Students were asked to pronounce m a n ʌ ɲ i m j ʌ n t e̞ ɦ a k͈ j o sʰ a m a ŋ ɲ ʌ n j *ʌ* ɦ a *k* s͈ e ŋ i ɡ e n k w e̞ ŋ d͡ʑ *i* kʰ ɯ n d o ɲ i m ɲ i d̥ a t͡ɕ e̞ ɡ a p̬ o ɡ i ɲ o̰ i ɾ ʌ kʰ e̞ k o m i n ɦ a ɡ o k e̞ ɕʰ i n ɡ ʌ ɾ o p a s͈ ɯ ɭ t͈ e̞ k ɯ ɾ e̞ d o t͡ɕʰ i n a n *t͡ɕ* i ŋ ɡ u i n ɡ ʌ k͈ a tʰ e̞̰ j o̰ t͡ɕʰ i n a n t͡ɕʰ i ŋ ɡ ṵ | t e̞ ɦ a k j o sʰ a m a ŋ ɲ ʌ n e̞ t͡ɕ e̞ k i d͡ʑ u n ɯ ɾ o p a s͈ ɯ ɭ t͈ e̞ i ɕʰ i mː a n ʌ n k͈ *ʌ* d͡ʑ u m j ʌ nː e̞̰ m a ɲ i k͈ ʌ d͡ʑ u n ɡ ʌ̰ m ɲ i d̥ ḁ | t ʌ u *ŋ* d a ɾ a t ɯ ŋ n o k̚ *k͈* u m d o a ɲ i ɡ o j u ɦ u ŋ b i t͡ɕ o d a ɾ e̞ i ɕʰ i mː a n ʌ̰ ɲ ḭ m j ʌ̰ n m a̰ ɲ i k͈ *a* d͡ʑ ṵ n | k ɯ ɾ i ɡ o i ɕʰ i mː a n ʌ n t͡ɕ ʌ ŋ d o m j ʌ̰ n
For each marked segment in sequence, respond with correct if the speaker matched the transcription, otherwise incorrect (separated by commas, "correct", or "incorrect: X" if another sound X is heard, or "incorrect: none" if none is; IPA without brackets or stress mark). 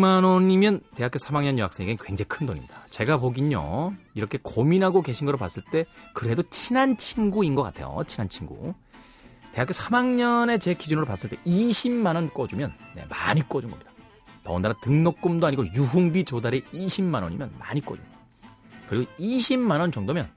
correct, correct, incorrect: e, incorrect: t͡ɕʰ, correct, incorrect: n, correct, incorrect: ʌ